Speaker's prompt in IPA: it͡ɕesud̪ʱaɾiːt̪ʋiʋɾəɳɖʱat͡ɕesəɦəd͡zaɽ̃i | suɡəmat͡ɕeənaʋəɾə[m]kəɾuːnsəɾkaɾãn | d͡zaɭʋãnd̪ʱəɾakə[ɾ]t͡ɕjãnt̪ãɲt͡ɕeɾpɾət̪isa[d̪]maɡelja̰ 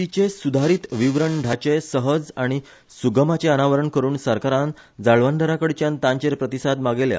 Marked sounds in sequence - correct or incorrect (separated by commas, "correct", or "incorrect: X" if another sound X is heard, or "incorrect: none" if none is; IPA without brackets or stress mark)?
incorrect: ɳ, incorrect: ɽ, correct